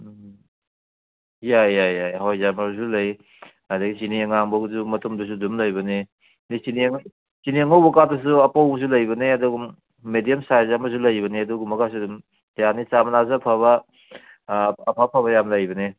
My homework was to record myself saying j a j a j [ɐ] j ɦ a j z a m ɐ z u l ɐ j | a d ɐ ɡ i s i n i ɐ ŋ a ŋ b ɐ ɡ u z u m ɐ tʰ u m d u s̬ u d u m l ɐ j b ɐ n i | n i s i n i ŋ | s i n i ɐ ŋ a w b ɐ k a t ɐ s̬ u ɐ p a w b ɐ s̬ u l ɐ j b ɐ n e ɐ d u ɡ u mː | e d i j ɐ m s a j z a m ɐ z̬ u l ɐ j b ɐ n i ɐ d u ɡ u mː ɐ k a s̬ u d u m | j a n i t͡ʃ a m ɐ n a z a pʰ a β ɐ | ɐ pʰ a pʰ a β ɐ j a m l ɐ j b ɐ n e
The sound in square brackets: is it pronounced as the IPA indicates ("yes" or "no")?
no